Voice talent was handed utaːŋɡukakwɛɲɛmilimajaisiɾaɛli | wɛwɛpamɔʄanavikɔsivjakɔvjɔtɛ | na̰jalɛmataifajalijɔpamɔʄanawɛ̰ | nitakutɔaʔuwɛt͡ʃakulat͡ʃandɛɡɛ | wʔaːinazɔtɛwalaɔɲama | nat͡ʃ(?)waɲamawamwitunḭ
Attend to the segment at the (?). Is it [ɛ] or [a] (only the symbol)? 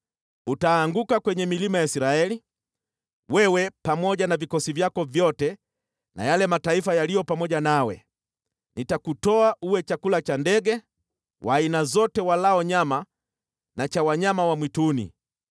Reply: a